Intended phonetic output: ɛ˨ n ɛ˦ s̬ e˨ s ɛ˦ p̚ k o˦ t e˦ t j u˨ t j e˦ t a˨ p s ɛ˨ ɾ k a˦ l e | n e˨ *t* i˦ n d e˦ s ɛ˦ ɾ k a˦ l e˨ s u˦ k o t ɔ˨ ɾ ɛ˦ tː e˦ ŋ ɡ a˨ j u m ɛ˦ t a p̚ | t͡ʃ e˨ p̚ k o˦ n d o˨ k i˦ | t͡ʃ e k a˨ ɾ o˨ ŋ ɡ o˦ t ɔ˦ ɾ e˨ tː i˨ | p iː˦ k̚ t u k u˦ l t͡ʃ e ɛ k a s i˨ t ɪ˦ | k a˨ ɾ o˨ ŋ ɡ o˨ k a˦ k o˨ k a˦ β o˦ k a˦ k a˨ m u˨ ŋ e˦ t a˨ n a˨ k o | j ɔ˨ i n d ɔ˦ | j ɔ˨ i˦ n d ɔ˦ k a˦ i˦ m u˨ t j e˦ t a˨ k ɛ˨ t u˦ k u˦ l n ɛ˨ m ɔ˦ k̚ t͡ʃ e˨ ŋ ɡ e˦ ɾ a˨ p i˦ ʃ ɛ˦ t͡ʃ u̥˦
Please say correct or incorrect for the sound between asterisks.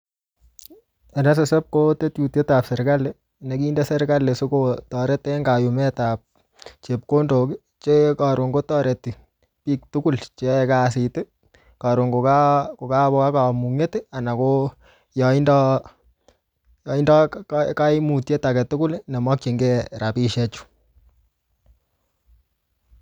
incorrect